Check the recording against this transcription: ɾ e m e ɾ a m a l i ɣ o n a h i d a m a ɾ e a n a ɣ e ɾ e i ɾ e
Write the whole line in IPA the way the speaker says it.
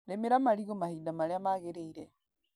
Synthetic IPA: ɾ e m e ɾ a m a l i ɣ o m a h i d a m a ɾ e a m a ɣ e ɾ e i ɾ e

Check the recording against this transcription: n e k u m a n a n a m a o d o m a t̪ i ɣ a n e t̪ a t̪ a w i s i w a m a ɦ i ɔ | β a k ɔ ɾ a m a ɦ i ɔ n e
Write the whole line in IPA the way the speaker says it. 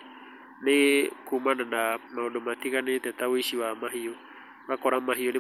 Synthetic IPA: n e k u m a n a n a m a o d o m a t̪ i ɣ a n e t̪ ɛ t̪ a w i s i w a m a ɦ i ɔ | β a k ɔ ɾ a m a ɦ i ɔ n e

